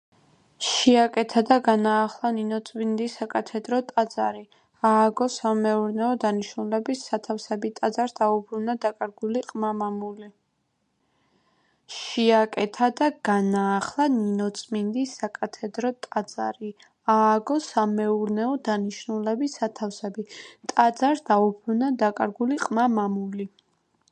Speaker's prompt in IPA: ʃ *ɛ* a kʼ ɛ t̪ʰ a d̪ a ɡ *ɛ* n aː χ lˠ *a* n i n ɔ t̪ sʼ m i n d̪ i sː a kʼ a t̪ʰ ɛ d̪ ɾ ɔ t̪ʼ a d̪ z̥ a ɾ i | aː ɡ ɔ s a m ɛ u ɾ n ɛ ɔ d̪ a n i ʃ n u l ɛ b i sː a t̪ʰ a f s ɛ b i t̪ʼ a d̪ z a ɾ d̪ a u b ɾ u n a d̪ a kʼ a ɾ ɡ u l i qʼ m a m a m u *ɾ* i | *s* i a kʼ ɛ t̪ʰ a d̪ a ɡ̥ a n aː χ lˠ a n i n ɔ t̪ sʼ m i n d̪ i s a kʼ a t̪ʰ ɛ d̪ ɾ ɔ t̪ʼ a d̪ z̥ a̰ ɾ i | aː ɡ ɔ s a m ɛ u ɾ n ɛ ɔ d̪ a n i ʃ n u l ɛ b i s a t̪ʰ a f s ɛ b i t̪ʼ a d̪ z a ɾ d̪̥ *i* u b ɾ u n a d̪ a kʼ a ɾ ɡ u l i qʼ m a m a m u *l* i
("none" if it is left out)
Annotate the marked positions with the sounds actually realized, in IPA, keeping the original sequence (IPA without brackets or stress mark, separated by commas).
i, a, a, l, ʃ, a, l